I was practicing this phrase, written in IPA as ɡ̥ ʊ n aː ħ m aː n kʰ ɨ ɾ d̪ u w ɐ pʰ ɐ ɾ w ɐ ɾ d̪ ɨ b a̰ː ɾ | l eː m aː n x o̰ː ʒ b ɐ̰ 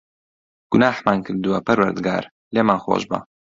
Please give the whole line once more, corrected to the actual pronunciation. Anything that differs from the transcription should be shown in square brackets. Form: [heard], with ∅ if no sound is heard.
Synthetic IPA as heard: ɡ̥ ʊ n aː ħ m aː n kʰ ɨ ɾ d̪ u w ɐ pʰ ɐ ɾ w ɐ ɾ d̪ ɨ [ɡ] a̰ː ɾ | l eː m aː n x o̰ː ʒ b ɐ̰